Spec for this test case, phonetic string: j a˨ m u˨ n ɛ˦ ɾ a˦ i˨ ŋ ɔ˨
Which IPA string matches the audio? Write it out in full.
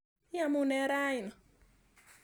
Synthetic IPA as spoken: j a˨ m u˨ n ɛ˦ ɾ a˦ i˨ n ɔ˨